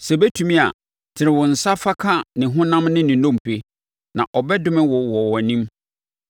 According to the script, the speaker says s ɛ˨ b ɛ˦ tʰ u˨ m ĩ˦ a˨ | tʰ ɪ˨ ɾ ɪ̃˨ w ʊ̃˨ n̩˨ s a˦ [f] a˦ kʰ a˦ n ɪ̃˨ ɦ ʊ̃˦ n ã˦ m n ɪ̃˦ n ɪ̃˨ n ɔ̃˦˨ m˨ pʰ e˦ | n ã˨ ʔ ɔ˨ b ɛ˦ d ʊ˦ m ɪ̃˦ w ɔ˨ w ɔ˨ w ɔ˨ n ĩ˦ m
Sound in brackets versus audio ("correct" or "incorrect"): correct